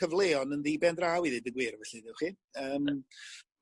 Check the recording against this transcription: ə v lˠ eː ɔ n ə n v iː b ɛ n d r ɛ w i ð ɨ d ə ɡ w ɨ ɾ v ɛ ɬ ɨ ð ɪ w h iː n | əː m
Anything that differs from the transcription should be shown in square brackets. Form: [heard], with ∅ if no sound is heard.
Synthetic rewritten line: ə v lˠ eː ɔ n ə n [ð] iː b ɛ n d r [a] w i ð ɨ d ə ɡ w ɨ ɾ v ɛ ɬ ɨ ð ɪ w [χ] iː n | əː m